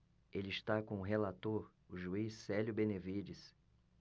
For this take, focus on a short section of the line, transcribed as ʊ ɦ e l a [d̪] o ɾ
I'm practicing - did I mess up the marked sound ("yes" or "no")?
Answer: yes